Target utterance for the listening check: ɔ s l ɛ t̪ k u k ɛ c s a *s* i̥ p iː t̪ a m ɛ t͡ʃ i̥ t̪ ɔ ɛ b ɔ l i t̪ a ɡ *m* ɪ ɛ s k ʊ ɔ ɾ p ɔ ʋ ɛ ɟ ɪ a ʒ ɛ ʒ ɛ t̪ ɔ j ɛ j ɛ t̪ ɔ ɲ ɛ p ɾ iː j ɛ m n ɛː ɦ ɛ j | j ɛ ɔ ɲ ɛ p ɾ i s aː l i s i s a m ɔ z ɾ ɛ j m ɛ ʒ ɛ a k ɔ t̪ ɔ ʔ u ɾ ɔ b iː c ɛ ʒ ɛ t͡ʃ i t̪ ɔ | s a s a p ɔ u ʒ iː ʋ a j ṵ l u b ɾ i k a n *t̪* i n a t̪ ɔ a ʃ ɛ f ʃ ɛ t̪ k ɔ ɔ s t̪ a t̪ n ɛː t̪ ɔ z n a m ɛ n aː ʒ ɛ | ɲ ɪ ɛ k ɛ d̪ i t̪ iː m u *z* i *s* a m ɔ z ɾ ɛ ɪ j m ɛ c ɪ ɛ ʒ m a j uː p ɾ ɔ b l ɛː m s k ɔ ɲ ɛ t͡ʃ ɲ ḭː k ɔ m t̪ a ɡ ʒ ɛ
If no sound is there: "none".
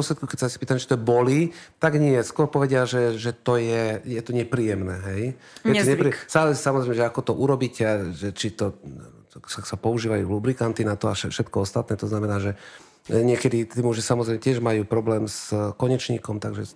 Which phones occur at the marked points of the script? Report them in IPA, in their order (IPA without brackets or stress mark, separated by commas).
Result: s, ɲ, t̪, ʒ, s